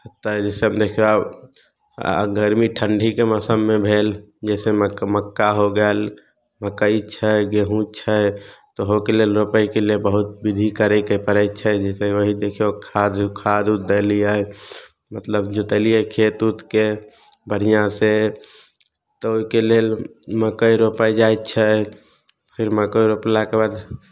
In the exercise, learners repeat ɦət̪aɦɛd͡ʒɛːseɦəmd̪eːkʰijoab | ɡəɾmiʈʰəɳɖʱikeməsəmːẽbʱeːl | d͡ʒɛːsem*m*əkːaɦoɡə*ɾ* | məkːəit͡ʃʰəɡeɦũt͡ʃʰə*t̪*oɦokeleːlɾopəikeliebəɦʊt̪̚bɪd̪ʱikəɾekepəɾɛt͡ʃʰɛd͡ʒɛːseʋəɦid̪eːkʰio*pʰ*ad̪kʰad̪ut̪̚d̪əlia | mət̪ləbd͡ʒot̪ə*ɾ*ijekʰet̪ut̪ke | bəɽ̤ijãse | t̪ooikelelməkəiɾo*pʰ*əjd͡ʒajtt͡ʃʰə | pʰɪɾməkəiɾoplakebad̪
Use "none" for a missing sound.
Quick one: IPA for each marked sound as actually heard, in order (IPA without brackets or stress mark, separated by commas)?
m, l, t̪, kʰ, l, p